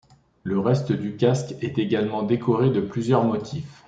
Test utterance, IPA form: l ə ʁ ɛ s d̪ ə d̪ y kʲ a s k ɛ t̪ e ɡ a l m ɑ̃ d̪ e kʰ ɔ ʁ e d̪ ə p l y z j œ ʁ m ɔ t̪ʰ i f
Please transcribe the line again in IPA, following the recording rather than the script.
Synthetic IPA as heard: l ə ʁ ɛ s t̪ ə d̪ y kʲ a s k ɛ t̪ e ɡ a l m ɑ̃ d̪ e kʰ ɔ ʁ e d̪ ə p l y z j œ ʁ m ɔ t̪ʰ i f